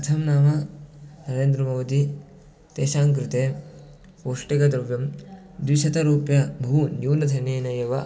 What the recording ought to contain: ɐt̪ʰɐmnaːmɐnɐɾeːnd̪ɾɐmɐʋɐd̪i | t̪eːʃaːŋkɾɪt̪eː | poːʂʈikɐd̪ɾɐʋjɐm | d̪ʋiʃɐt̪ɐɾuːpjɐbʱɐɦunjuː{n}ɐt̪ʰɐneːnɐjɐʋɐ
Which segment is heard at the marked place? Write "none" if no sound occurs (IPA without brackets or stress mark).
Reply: n